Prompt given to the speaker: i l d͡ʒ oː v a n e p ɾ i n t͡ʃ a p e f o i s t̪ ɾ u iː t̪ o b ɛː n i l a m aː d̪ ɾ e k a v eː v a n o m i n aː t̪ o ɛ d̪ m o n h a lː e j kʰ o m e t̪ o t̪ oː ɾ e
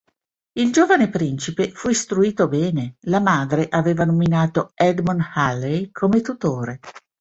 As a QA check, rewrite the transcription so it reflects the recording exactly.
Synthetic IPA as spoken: i l d͡ʒ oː v a n e p ɾ i n t͡ʃ i p e f u i s t̪ ɾ u iː t̪ o b ɛː n e l a m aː d̪ ɾ e ʔ a v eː v a n o m i n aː t̪ o ɛ d̪ m o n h a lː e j kʰ o m e t̪ u t̪ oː ɾ e

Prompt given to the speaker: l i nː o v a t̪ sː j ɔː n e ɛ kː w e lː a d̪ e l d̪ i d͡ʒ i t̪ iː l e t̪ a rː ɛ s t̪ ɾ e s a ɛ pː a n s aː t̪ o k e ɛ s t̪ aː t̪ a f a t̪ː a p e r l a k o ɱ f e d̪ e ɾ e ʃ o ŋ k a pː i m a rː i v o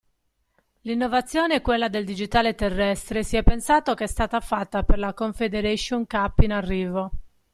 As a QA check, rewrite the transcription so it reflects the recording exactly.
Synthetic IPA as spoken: l i nː o v a t̪ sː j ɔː n e ɛ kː w e lː a d̪ e l d̪ i d͡ʒ i t̪ aː l e t̪ e rː ɛ s t̪ ɾ e s i ɛ pː e n s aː t̪ o k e ɛ s t̪ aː t̪ a f a t̪ː a p e r l a k o ɱ f e d̪ e ɾ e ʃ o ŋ k a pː i n a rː iː v o

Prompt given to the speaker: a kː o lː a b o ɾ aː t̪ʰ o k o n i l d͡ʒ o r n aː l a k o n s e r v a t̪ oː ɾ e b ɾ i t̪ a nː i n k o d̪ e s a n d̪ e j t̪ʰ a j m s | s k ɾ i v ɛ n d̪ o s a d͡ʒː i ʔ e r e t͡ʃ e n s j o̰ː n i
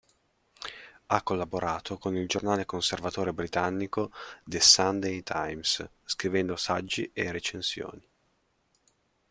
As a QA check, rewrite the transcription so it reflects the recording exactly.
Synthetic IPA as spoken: a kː o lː a b o ɾ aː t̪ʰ o k o n i l d͡ʒ o r n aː l e k o n s e r v a t̪ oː ɾ e b ɾ i t̪ a nː i k o d̪ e s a n d̪ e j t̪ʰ a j m s | s k ɾ i v ɛ n d̪ o s a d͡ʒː i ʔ e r e t͡ʃ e n s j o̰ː n i

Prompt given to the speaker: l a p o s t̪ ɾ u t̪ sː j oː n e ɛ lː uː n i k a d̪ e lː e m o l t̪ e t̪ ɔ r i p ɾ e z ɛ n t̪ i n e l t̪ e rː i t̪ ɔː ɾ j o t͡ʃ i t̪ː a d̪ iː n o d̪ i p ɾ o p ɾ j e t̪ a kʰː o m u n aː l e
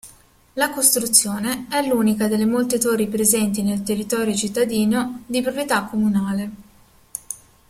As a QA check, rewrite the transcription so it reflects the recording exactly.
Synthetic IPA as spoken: l a k o s t̪ ɾ u t̪ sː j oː n e ɛ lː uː n i k a d̪ e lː e m o l t̪ e t̪ o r i p ɾ e z ɛ n t̪ i n e l t̪ e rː i t̪ ɔː ɾ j o t͡ʃ i t̪ː a d̪ iː n o d̪ i p ɾ o p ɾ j e t̪ a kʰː o m u n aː l e

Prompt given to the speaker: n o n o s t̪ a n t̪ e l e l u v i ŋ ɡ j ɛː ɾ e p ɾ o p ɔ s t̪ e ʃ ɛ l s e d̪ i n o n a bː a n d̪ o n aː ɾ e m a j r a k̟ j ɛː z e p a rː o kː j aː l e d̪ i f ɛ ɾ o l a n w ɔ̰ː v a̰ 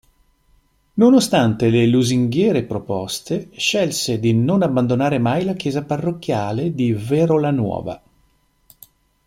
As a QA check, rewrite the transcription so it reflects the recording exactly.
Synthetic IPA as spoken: n o n o s t̪ a n t̪ e l e l u z i ŋ ɡ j ɛː ɾ e p ɾ o p ɔ s t̪ e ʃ ɛ l s e d̪ i n o n a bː a n d̪ o n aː ɾ e m a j l a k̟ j ɛː z a p a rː o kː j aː l e d̪ i v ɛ ɾ o l a n w ɔ̰ː v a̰

